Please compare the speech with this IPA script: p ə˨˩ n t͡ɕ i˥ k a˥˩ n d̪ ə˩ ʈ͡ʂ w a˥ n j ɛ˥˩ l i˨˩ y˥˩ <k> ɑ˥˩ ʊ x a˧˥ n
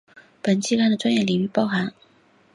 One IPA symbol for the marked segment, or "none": p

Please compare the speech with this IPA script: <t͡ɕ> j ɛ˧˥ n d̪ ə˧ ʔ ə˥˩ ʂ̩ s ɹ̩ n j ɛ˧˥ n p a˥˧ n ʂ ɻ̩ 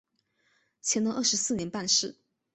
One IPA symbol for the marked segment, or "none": t͡ɕʰ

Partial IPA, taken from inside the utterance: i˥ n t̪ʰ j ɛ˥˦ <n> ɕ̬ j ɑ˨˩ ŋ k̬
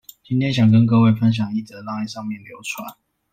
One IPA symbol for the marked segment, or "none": n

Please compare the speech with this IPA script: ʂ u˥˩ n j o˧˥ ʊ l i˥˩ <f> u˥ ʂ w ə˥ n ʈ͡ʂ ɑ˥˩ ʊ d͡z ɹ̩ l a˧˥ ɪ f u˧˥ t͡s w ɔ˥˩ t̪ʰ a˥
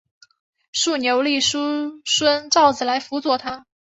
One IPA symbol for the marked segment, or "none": ʂ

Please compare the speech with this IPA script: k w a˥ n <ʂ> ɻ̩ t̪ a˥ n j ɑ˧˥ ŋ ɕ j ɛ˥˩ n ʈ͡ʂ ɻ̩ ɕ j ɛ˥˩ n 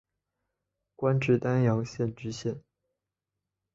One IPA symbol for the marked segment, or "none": ʈ͡ʂ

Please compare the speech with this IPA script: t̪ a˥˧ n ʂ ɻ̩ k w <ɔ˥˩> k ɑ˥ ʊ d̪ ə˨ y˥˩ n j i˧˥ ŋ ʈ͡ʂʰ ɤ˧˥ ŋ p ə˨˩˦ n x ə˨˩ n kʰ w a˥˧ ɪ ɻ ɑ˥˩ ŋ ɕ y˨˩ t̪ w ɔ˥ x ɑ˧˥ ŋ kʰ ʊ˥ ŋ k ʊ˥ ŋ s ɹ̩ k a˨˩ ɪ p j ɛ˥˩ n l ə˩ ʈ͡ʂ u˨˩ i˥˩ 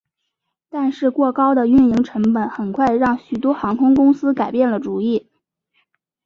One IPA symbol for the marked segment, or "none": ɔ˥˩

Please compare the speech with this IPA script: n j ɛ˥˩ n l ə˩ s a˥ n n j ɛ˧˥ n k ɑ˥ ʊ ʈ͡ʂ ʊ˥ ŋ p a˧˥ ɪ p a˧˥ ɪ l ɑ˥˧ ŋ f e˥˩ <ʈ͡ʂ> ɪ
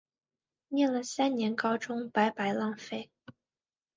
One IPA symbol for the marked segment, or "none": none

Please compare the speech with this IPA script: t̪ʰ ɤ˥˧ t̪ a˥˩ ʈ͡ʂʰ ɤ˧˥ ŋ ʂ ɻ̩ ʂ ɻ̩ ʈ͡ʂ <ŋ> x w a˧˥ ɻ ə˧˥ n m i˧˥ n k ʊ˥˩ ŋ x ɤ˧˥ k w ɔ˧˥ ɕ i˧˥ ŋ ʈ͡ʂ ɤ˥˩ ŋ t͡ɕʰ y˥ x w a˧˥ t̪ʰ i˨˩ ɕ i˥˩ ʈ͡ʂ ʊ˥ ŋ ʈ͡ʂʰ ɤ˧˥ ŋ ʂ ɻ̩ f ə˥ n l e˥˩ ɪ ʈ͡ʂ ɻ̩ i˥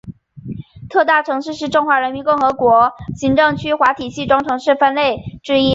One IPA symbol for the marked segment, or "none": ŋ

